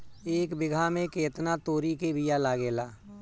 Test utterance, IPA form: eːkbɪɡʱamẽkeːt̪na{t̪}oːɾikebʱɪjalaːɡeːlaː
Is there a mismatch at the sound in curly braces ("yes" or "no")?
no